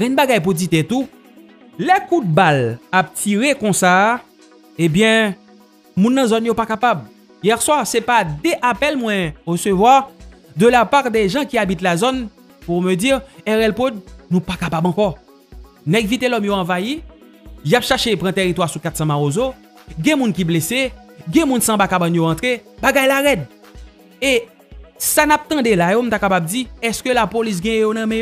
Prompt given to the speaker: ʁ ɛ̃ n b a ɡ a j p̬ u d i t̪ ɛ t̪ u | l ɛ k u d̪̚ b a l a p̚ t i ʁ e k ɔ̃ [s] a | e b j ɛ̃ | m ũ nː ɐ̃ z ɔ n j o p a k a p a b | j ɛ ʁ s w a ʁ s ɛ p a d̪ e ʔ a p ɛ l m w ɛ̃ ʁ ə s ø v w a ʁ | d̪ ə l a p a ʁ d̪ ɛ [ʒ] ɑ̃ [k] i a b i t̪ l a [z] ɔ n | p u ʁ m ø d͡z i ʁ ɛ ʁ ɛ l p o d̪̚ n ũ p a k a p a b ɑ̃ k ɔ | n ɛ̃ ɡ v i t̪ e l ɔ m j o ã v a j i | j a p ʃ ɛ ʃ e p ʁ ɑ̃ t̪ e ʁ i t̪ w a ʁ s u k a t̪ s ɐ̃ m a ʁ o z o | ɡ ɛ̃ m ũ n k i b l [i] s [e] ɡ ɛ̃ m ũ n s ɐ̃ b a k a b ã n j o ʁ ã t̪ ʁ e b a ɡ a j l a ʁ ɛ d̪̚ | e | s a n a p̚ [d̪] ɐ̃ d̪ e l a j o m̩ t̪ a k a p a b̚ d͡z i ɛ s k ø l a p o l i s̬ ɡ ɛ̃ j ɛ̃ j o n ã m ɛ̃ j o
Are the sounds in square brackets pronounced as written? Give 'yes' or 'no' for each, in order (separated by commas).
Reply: yes, yes, yes, yes, no, yes, no